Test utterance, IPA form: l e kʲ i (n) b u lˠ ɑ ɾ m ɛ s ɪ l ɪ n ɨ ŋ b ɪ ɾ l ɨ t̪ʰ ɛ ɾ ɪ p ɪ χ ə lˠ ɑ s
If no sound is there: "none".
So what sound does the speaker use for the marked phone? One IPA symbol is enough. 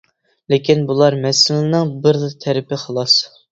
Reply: n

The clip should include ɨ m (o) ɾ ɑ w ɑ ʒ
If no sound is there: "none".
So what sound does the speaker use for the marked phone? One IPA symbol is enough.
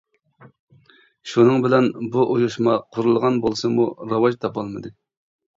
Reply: u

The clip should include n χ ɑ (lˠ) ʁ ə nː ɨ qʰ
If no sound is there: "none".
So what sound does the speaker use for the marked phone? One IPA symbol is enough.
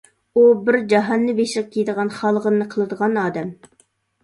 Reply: lˠ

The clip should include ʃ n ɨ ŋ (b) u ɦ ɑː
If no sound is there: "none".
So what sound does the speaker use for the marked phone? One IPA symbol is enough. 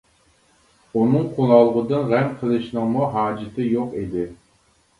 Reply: m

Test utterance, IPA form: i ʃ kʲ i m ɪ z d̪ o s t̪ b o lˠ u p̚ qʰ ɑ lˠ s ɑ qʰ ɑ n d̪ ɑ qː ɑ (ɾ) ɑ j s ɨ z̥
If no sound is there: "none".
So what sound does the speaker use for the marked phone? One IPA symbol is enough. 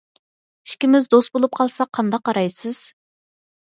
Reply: ɾ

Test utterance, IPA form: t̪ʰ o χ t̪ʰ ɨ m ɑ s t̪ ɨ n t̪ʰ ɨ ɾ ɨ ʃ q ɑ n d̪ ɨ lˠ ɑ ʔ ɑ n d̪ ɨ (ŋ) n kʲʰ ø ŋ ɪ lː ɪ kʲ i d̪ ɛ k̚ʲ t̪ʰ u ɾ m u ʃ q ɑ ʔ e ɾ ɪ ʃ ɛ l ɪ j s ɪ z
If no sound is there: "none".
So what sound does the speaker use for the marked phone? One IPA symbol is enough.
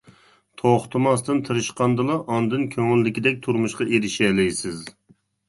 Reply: none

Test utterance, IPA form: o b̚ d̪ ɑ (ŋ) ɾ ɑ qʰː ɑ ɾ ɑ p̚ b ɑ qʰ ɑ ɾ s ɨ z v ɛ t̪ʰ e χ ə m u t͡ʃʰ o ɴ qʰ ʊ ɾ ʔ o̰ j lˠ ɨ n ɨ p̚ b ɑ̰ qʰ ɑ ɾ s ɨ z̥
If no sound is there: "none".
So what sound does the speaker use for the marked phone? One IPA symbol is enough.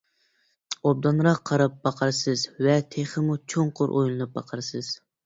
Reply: n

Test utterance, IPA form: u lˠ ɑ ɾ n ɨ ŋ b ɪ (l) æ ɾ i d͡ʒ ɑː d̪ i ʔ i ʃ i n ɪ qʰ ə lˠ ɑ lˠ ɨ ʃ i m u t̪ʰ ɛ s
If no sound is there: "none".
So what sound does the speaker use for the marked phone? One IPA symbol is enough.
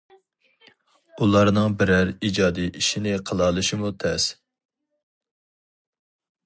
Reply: ɾ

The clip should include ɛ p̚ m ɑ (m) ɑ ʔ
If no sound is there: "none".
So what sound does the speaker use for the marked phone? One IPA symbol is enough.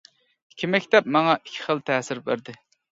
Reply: ŋ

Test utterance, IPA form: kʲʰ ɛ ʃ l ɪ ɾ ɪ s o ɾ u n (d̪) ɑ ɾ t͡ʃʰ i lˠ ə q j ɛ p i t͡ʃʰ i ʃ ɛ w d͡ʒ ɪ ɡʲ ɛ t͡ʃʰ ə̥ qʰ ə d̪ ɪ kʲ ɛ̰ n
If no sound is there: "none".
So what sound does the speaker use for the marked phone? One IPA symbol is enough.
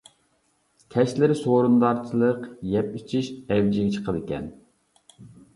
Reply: d̪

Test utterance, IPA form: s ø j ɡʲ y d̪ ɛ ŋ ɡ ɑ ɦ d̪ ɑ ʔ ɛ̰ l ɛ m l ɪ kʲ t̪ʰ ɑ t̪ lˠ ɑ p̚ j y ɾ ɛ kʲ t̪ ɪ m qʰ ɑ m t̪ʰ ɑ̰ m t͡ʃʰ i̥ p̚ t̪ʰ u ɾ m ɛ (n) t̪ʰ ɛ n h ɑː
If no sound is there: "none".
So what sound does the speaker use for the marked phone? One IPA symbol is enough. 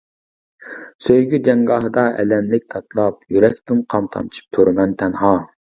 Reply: n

